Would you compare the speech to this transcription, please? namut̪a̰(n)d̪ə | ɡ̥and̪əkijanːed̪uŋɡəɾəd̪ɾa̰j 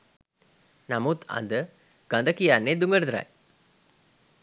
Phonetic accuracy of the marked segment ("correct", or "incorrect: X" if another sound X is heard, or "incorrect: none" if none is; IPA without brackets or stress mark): correct